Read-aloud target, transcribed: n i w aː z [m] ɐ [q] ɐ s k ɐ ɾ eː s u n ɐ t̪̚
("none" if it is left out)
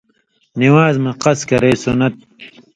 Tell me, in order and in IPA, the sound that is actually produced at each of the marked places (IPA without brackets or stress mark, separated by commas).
m, q